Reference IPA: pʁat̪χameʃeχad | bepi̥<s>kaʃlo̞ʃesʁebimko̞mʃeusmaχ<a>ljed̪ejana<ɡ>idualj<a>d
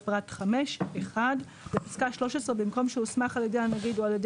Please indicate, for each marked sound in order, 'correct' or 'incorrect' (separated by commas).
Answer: correct, correct, correct, incorrect